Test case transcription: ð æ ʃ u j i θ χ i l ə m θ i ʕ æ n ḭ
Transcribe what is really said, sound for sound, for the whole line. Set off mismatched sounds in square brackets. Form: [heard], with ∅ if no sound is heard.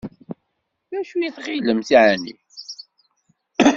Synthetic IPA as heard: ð æ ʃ u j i θ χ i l ə m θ i ʕ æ n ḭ